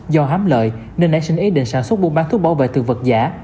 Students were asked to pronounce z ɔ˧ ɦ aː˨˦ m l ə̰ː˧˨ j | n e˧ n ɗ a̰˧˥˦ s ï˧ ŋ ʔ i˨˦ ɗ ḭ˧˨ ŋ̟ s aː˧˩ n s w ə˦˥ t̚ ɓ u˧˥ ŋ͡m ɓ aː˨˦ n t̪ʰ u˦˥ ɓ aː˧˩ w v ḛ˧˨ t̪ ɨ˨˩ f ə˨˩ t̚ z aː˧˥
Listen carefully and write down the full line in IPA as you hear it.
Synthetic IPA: z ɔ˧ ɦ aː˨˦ m l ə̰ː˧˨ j | n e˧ n ɗ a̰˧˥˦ s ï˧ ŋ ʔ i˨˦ ɗ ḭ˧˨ ŋ̟ s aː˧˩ n s w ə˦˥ t̚ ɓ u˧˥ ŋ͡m ɓ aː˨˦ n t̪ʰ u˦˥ ɓ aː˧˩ w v ḛ˧˨ t̪ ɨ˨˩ v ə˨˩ t̚ z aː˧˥